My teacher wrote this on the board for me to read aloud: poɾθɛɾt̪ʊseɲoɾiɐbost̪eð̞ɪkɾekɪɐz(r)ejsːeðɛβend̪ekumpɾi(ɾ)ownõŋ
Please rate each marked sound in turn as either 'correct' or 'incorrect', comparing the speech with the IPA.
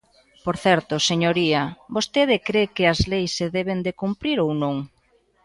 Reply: incorrect: l, correct

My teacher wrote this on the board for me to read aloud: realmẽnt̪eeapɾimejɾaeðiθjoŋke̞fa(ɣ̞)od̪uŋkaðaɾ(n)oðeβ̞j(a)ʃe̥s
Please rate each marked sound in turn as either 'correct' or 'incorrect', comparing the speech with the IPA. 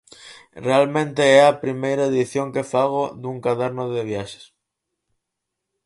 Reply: correct, correct, correct

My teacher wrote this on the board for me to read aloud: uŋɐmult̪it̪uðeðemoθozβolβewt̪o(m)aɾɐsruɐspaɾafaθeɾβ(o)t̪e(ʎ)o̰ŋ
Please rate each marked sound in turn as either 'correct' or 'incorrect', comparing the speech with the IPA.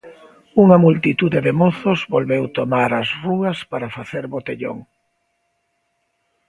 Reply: correct, correct, correct

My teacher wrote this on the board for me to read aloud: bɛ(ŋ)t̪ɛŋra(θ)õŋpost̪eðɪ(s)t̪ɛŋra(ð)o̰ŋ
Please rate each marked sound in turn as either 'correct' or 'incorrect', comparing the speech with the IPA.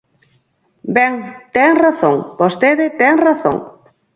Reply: correct, correct, incorrect: none, incorrect: θ

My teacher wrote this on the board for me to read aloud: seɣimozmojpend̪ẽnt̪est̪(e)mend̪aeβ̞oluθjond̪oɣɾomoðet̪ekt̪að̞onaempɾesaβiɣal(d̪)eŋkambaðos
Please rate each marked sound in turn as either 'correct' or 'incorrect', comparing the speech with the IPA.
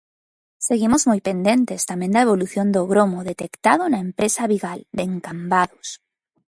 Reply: incorrect: a, correct

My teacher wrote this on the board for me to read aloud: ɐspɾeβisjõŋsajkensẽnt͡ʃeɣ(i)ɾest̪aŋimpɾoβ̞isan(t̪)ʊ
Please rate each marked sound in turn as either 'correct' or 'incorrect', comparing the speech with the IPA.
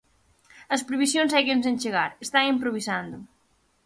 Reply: incorrect: a, incorrect: d̪

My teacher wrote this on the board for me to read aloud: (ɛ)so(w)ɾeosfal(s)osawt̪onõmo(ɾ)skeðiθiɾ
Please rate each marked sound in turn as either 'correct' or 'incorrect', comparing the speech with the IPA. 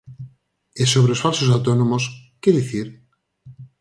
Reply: incorrect: e, incorrect: β, correct, incorrect: none

